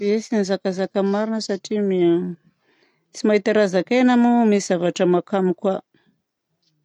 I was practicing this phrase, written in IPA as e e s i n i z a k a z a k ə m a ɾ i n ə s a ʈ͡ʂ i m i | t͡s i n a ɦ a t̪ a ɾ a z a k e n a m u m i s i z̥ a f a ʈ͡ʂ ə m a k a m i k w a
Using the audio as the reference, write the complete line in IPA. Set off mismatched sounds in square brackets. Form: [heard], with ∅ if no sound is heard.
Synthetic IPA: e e s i n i z a k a z a k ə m a ɾ i n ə s a ʈ͡ʂ i m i | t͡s i [m] a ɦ [i] t̪ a ɾ a z a k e n a m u m i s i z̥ a [v] a ʈ͡ʂ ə m a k a m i k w a